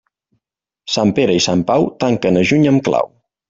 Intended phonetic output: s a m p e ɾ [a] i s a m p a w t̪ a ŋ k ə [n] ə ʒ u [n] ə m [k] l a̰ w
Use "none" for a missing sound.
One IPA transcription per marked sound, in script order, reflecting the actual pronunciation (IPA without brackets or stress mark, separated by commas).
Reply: ə, n, ɲ, k